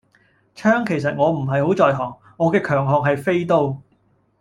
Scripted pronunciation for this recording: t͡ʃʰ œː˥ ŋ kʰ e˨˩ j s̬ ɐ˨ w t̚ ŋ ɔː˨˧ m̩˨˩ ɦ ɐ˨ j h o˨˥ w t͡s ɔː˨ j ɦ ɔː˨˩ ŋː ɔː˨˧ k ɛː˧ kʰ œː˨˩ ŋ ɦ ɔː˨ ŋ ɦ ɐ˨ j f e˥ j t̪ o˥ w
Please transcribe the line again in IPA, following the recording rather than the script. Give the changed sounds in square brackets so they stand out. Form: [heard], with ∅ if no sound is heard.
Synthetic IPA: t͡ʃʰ œː˥ ŋ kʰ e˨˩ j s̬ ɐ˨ [∅] t̚ ŋ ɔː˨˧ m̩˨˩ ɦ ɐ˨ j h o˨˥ w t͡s ɔː˨ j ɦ ɔː˨˩ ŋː ɔː˨˧ k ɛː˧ kʰ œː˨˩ ŋ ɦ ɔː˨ ŋ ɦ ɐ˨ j f e˥ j t̪ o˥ w